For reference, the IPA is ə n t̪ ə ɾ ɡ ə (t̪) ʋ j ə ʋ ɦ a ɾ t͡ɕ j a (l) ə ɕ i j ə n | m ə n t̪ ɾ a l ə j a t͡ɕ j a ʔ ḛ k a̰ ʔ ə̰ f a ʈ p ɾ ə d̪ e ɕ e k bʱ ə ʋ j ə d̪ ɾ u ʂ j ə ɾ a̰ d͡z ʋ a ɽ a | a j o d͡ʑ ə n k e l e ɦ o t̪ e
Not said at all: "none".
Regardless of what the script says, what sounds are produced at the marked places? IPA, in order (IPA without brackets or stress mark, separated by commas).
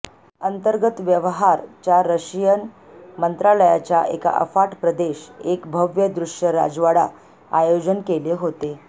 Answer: t̪, ɾ